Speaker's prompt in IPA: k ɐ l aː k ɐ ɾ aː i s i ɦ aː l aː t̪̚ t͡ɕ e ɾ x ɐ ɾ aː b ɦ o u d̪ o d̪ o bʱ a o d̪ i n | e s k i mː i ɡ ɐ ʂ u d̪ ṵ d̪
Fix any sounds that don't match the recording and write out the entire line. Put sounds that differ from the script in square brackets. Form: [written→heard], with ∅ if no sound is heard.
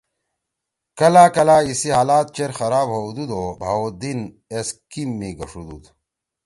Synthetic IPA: k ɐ l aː k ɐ [ɾ→l] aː i s i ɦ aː l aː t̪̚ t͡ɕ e ɾ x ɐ ɾ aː b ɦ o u d̪ [o→u] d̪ o bʱ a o d̪ i n | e s k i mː i ɡ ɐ ʂ u d̪ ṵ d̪